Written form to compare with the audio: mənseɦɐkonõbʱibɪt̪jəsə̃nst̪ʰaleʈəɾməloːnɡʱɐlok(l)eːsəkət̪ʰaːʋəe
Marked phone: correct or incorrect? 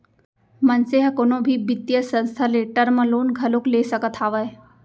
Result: correct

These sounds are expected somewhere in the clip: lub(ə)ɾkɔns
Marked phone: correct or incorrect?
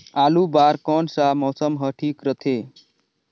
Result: incorrect: a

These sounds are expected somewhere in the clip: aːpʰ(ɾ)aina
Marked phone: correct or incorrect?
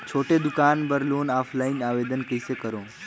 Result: incorrect: l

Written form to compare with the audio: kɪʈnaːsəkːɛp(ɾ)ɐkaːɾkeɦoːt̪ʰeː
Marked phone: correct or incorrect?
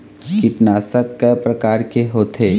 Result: correct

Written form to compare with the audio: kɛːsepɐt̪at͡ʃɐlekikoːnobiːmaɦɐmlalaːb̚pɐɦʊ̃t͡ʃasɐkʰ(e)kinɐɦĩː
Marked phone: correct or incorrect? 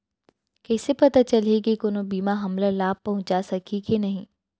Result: incorrect: i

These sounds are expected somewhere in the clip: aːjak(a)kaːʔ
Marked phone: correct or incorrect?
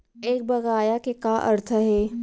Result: incorrect: e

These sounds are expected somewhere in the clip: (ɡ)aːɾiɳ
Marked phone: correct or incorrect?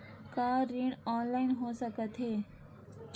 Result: incorrect: k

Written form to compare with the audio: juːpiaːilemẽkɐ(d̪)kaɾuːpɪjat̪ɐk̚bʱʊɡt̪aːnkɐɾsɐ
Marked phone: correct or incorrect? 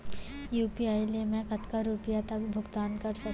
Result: incorrect: t̪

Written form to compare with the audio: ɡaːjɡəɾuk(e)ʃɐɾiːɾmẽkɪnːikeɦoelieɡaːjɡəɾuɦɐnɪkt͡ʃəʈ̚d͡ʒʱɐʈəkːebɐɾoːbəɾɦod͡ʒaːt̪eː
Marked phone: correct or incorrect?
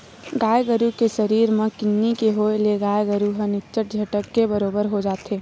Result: correct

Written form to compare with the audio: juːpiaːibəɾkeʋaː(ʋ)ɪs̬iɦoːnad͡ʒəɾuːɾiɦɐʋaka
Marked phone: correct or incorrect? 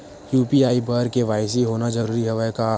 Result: incorrect: none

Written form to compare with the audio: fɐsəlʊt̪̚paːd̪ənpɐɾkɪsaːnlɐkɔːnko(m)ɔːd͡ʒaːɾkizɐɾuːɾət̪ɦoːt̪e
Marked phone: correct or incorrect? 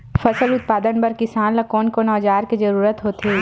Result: incorrect: n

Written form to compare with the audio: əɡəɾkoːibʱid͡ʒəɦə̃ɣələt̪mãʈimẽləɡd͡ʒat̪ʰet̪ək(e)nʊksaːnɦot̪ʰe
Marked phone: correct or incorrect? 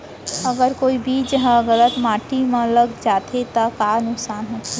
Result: incorrect: a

